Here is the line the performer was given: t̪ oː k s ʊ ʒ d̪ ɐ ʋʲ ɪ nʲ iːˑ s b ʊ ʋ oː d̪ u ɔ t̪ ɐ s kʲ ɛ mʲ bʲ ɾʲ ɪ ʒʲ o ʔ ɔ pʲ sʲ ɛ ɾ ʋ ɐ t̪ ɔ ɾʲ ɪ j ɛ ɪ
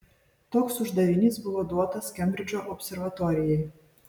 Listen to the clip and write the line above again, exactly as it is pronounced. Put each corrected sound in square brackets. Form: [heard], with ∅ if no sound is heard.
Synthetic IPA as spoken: t̪ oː k s ʊ ʒ d̪ ɐ ʋʲ ɪ nʲ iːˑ s b ʊ ʋ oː d̪ u ɔ t̪ ɐ s kʲ ɛ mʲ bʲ ɾʲ ɪ [d͡ʒʲ] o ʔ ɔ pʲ sʲ ɛ ɾ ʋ ɐ t̪ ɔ ɾʲ ɪ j ɛ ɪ

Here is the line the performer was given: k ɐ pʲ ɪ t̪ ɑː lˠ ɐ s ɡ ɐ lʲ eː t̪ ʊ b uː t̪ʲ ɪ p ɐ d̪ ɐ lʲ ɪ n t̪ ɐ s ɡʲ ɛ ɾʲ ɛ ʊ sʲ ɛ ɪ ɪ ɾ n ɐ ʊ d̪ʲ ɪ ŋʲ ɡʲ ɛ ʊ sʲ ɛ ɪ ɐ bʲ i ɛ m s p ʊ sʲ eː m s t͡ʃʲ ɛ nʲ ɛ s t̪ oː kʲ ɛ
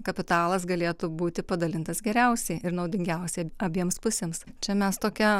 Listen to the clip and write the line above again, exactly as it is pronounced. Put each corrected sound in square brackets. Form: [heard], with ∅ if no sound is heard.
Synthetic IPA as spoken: k ɐ pʲ ɪ t̪ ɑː lˠ ɐ s ɡ ɐ lʲ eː t̪ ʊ b uː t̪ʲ ɪ p ɐ d̪ ɐ lʲ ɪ n t̪ ɐ s ɡʲ ɛ ɾʲ ɛ ʊ sʲ ɛ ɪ ɪ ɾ n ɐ ʊ d̪ʲ ɪ ŋʲ ɡʲ ɛ ʊ sʲ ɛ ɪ ɐ bʲ i ɛ m s p ʊ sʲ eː m s t͡ʃʲ ɛ [mʲ] ɛ s t̪ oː kʲ ɛ

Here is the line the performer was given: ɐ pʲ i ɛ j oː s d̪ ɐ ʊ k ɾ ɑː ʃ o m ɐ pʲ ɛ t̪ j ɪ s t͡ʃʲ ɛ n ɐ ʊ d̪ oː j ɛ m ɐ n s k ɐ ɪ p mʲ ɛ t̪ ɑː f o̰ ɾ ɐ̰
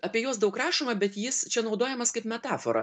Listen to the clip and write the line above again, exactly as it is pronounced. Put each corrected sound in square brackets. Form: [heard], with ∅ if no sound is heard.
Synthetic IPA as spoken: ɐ pʲ i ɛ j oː s d̪ ɐ ʊ k ɾ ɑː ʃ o m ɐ [bʲ] ɛ t̪ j ɪ s t͡ʃʲ ɛ n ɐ ʊ d̪ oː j ɛ m ɐ [∅] s k ɐ ɪ p mʲ ɛ t̪ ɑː f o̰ ɾ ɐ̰

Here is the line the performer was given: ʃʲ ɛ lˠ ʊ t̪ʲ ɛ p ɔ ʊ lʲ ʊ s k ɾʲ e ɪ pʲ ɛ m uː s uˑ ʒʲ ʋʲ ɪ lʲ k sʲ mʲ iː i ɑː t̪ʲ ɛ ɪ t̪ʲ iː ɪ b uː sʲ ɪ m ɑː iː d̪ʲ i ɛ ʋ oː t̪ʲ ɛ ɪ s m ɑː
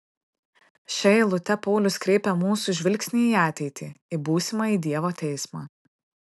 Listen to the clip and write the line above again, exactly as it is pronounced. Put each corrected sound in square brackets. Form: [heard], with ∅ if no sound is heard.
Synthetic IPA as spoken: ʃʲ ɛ lˠ ʊ t̪ʲ ɛ p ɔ ʊ lʲ ʊ s k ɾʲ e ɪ pʲ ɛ m uː s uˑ ʒʲ ʋʲ ɪ lʲ k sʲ [nʲ] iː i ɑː t̪ʲ ɛ ɪ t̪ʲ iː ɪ b uː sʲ ɪ m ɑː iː d̪ʲ i ɛ ʋ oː t̪ʲ ɛ ɪ s m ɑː

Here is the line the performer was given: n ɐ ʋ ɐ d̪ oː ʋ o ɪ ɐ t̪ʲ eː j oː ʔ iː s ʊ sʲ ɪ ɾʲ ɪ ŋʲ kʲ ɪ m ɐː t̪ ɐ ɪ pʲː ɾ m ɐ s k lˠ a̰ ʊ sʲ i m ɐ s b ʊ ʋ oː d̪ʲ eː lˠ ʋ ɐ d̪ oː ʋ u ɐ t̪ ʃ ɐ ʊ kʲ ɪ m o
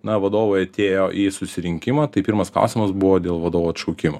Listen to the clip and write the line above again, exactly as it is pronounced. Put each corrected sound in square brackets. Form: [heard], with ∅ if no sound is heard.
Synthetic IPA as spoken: n ɐ ʋ ɐ d̪ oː ʋ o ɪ ɐ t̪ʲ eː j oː ʔ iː s ʊ sʲ ɪ ɾʲ ɪ ŋʲ kʲ ɪ m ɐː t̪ ɐ ɪ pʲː ɾ m ɐ s k lˠ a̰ ʊ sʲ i m ɐ s b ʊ ʋ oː d̪ʲ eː lˠ ʋ ɐ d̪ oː ʋ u ɐ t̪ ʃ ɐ ʊ kʲ ɪ m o

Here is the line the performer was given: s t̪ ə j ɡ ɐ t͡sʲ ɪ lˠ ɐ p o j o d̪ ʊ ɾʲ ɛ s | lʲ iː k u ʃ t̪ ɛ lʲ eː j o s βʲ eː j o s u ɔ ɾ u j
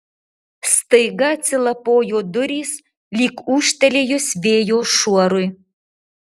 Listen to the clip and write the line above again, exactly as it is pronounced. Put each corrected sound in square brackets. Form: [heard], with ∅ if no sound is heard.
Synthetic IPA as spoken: s t̪ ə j ɡ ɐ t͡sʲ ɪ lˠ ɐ p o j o d̪ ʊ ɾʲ [i] s | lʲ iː k u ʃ t̪ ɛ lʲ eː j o s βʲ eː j o [ʃ] u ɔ ɾ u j

